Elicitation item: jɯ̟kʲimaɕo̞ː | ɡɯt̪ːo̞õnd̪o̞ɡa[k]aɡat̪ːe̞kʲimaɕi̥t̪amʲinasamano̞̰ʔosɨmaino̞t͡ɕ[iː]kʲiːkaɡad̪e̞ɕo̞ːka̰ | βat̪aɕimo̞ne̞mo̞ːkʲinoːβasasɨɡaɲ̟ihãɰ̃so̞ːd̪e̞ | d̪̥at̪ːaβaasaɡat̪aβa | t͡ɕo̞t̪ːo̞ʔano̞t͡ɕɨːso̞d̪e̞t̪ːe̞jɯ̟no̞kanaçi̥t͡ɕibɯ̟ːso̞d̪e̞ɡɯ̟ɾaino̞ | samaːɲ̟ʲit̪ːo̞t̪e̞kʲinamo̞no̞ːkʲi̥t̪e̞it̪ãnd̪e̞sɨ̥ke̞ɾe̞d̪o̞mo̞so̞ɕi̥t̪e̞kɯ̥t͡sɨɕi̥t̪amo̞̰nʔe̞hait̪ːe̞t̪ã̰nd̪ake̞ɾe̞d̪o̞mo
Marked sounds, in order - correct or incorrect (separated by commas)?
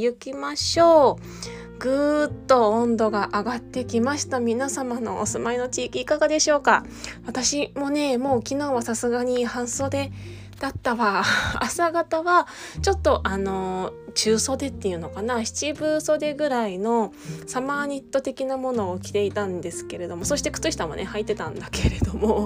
incorrect, correct